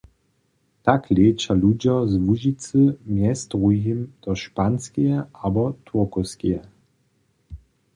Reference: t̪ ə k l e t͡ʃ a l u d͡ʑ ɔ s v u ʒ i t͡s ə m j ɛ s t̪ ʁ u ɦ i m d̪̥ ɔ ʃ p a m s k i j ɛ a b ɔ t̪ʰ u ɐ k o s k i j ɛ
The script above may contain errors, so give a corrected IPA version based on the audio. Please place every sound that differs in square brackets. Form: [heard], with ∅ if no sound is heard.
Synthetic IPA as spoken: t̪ [a] k l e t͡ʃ a l u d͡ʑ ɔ [z] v u ʒ i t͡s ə m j ɛ s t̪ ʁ u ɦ i m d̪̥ ɔ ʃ p a [n] s k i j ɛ a b ɔ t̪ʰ u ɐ k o s k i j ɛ